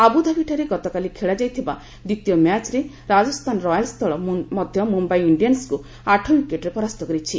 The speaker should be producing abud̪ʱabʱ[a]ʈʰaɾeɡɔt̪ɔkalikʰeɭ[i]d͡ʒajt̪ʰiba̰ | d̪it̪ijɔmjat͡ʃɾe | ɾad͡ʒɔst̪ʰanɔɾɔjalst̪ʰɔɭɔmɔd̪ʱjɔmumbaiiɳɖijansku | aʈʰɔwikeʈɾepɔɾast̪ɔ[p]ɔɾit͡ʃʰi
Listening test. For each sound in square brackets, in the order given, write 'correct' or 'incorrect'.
incorrect: i, incorrect: a, incorrect: k

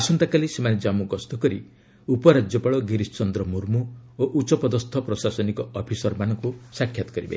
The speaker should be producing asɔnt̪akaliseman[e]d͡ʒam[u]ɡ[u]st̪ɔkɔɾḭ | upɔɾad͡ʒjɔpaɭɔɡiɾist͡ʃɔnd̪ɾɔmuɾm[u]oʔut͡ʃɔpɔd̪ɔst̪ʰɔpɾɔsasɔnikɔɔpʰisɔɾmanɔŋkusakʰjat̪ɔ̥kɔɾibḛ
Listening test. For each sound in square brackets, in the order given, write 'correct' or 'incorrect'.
correct, correct, incorrect: ɔ, correct

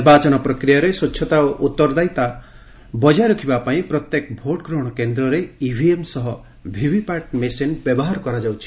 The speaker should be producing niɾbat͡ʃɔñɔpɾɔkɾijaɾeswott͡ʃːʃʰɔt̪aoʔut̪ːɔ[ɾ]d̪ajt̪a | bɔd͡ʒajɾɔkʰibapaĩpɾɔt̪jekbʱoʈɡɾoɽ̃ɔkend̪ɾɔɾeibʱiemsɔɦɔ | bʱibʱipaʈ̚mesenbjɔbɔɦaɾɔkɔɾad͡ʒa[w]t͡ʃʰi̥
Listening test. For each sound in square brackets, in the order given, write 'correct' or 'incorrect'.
correct, correct

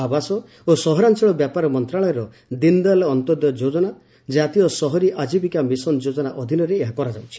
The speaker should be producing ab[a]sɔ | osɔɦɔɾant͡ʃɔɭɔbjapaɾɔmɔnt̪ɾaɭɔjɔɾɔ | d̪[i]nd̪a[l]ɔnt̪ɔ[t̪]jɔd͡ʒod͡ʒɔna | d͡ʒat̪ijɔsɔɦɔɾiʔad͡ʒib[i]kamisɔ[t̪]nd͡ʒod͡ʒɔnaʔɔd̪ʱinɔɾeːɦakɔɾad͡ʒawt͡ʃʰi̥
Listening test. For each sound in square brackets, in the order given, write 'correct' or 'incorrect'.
correct, correct, correct, incorrect: d̪, correct, incorrect: none

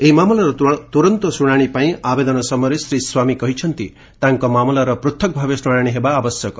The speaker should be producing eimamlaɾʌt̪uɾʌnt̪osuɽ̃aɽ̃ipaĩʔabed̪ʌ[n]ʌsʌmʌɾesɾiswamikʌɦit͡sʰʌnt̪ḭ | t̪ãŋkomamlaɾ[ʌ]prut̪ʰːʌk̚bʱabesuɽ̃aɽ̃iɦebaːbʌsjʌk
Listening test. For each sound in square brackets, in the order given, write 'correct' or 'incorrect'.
correct, correct

